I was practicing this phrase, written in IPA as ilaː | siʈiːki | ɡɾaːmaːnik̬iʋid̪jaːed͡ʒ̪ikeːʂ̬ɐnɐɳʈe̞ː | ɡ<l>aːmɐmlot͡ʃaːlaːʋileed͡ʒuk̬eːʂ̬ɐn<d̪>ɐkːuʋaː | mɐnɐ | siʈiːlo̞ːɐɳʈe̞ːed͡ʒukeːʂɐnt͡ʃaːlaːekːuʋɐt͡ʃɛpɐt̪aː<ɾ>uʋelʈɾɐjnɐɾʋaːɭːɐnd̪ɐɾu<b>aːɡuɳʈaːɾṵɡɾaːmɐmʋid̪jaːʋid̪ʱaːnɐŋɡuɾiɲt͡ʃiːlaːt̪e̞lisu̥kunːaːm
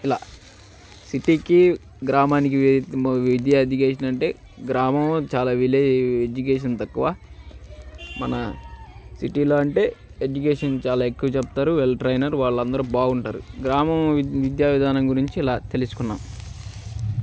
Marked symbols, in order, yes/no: no, no, yes, yes

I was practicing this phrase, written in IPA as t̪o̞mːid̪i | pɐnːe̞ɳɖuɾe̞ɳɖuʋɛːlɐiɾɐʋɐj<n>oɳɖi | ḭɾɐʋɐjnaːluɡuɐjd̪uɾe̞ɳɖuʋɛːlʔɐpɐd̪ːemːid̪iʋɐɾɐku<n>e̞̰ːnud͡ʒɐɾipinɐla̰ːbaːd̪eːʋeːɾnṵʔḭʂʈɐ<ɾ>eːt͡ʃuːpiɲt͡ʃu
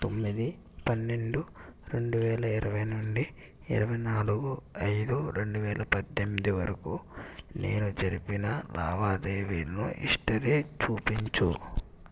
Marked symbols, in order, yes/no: yes, yes, yes

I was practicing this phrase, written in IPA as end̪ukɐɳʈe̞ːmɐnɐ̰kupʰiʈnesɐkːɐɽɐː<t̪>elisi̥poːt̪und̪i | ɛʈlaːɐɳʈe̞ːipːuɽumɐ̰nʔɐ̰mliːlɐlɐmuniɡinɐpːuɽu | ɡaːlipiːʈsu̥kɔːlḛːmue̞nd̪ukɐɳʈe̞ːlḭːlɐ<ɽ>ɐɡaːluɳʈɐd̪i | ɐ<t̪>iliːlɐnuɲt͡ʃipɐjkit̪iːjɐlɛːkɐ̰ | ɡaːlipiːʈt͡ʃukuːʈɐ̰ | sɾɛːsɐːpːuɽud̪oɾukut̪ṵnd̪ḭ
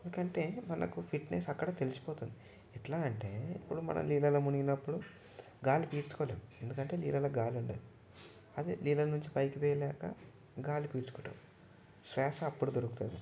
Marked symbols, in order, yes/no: yes, no, no

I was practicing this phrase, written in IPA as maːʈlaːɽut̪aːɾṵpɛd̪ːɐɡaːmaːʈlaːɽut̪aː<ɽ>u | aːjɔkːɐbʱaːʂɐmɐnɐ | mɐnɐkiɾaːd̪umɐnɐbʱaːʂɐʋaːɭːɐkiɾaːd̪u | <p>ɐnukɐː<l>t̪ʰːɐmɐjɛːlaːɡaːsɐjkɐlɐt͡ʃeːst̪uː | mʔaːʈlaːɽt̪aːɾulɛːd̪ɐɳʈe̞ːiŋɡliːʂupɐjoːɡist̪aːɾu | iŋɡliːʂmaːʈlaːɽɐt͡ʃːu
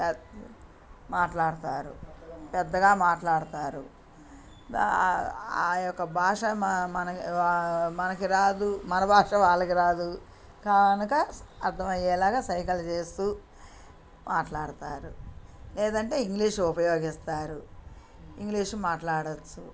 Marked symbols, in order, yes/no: no, no, no

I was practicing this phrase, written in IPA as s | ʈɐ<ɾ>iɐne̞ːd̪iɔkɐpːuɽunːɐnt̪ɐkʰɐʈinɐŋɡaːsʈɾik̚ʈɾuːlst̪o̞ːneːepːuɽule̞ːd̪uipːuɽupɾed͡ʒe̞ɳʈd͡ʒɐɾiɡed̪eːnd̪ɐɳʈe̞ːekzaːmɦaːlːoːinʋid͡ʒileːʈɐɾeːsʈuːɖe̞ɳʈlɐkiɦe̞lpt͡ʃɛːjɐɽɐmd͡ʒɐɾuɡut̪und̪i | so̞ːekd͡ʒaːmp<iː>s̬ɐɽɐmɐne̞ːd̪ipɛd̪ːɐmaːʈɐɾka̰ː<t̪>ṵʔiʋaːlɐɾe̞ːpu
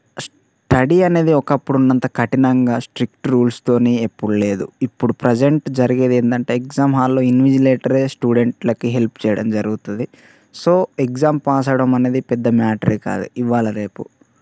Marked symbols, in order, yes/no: no, no, no

